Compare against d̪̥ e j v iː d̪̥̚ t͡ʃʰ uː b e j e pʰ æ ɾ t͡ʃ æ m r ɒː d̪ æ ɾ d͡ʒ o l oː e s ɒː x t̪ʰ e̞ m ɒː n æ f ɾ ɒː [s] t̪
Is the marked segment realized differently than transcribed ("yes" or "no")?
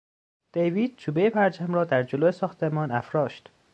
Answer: yes